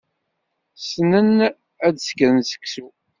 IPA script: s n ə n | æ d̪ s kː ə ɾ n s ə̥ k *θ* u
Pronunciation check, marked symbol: incorrect: s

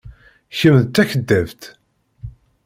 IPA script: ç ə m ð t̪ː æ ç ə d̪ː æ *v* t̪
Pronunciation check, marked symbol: correct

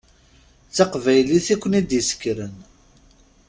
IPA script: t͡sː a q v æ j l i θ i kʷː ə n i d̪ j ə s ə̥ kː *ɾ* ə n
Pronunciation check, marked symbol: correct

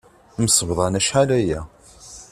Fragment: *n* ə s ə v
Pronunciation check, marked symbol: incorrect: m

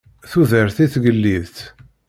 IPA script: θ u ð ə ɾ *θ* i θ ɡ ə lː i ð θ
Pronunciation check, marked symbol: correct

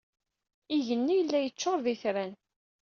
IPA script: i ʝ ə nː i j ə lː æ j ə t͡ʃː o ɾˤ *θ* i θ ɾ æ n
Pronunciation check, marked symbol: incorrect: ð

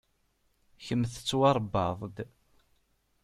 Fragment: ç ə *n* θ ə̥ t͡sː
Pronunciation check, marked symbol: incorrect: m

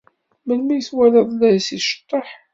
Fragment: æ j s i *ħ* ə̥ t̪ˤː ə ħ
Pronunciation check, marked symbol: incorrect: ʃ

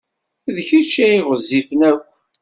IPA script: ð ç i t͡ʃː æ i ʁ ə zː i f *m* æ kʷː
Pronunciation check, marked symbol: incorrect: n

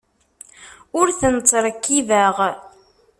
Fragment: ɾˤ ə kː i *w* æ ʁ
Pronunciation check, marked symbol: incorrect: v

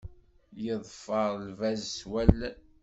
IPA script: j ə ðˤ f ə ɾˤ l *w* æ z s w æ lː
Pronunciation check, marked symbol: incorrect: v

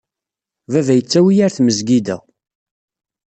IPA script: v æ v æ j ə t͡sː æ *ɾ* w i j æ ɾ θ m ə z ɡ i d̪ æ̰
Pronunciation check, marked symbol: incorrect: none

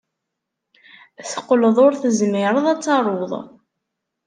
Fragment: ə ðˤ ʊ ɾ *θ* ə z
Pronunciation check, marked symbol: correct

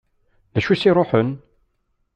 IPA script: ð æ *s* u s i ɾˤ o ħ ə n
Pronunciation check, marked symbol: incorrect: ʃ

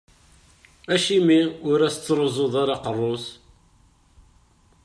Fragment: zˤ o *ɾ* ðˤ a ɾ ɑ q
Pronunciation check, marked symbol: incorrect: none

